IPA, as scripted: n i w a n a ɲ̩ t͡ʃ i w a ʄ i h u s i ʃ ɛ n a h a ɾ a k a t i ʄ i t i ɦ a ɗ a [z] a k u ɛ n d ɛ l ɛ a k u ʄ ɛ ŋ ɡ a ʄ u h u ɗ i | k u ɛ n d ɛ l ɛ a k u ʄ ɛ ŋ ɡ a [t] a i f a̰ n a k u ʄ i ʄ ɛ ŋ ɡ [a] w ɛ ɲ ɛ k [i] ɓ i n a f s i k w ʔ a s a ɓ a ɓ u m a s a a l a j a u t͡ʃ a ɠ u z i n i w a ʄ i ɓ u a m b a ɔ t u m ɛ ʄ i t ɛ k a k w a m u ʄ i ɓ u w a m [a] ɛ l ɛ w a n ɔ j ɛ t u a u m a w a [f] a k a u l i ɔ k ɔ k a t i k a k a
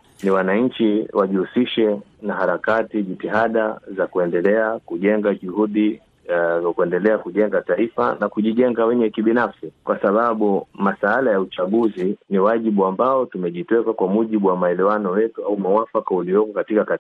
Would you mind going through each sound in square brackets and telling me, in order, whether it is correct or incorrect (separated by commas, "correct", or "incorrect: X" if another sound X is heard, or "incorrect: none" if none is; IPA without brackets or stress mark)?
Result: correct, correct, correct, correct, correct, correct